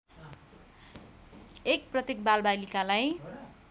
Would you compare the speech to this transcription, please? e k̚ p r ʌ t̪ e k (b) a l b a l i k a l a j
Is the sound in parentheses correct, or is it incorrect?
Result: correct